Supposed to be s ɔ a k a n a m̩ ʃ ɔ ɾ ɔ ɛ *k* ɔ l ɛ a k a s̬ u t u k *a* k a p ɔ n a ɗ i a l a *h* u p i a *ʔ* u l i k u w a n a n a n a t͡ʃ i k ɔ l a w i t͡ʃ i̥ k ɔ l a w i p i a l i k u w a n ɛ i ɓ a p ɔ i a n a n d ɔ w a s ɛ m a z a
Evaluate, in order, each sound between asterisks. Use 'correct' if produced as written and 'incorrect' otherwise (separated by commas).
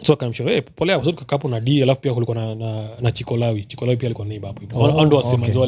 incorrect, correct, incorrect, incorrect